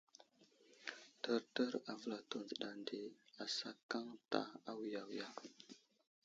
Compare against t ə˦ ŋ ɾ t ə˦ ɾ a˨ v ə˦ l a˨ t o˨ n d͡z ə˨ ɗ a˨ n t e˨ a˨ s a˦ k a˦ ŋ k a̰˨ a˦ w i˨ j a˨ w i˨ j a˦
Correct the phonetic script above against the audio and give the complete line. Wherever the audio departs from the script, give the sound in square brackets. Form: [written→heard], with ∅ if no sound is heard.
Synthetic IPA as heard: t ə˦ [ŋ→∅] ɾ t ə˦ ɾ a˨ v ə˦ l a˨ t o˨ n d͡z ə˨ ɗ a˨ n [t→d] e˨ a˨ s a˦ k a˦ ŋ [k→t] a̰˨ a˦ w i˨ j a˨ w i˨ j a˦